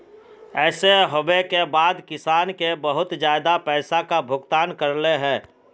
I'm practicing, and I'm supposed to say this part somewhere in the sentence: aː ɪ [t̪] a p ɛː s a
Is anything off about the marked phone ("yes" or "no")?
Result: yes